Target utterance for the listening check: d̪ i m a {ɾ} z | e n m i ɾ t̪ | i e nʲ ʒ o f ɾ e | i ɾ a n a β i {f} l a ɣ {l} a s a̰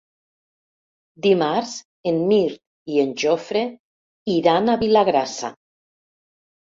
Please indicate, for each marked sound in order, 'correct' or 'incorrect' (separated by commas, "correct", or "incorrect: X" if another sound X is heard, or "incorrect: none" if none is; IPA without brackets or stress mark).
correct, incorrect: none, incorrect: ɾ